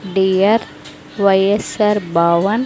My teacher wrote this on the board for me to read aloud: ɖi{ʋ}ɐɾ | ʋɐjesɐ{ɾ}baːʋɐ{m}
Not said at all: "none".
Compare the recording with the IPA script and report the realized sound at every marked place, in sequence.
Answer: none, ɾ, n

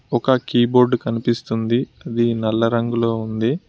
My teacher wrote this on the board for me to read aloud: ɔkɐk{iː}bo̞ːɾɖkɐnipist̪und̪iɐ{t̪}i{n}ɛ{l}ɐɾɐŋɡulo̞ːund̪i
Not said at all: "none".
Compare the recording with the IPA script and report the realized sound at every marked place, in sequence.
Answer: iː, d̪, n, lː

